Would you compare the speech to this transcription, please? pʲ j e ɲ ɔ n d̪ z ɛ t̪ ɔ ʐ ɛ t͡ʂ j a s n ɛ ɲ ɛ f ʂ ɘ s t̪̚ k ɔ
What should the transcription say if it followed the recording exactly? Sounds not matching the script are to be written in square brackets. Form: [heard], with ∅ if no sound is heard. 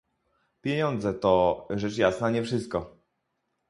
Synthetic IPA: pʲ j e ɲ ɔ n d̪ z ɛ t̪ ɔ ʐ ɛ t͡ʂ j a s n [a] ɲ ɛ f ʂ ɘ s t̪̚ k ɔ